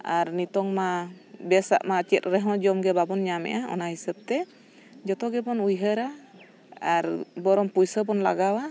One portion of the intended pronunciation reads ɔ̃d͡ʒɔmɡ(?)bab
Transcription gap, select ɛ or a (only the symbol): ɛ